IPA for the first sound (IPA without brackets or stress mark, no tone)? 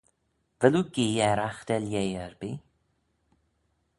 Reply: v